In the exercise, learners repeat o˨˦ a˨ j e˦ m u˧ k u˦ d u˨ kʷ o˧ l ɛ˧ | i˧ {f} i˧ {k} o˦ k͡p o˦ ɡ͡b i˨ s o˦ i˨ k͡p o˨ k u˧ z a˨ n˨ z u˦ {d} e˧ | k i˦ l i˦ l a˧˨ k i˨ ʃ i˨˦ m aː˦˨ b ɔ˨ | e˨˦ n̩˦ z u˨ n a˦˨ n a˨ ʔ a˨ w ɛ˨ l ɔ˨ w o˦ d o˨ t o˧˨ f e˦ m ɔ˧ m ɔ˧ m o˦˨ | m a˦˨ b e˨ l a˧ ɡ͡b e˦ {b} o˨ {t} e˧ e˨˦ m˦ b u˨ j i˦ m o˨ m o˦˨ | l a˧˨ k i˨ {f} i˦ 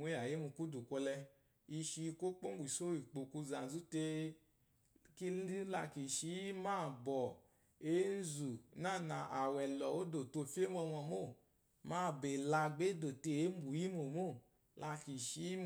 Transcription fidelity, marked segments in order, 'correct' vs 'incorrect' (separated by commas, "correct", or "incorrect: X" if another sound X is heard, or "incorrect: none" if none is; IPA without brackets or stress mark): incorrect: ʃ, correct, incorrect: t, incorrect: d, correct, incorrect: ʃ